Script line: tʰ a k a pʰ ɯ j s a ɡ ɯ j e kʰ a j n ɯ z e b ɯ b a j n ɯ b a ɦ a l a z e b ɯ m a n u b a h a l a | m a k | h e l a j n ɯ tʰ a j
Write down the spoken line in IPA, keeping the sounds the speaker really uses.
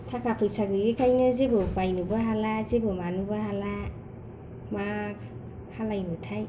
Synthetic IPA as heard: tʰ a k a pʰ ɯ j s a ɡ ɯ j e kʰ a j n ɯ z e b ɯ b a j n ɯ b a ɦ a l a z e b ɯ m a n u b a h a l a | m a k | h a l a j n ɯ tʰ a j